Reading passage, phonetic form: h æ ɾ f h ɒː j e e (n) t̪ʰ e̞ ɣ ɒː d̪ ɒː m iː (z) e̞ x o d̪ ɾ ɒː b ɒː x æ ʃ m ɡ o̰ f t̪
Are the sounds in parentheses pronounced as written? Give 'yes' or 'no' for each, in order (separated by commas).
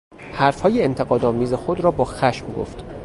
yes, yes